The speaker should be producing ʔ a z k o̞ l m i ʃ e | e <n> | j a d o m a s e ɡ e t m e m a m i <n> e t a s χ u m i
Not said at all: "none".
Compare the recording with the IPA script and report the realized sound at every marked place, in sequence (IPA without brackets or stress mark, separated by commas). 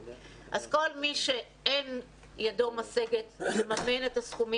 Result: n, n